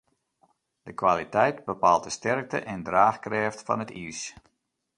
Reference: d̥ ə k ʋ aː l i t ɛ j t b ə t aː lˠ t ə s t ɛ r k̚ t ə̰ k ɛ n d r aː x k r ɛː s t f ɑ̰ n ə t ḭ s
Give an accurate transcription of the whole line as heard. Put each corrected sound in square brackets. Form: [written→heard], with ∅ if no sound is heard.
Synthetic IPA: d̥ ə k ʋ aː l i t ɛ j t b ə [t→p] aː lˠ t ə s t ɛ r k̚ t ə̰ [k→ʔ] ɛ n d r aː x k r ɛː [s→f] t f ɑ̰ n ə t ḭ s